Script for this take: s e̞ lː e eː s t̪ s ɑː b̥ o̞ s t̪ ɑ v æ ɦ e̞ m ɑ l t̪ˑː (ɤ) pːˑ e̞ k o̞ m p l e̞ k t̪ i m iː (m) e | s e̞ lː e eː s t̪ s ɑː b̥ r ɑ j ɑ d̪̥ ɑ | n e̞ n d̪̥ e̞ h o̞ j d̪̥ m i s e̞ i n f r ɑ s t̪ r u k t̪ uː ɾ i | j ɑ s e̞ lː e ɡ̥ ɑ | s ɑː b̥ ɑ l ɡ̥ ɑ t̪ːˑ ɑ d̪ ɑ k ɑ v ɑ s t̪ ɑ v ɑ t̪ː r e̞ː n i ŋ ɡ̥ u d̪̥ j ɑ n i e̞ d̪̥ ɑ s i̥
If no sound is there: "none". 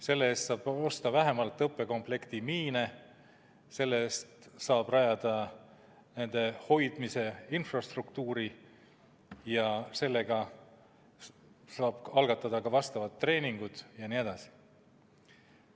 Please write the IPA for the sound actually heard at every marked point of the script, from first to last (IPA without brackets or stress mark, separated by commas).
ɤ, n